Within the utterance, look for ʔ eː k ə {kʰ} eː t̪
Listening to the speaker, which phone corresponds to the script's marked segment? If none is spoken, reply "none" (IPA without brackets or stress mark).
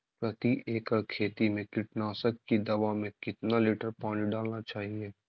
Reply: kʰ